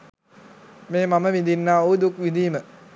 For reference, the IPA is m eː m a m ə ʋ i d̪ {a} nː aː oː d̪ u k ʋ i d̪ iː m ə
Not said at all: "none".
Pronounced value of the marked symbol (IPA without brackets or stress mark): i